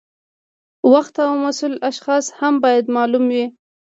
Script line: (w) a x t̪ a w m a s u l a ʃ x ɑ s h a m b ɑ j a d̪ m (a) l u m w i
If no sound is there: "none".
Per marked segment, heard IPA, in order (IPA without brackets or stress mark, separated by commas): w, ɑ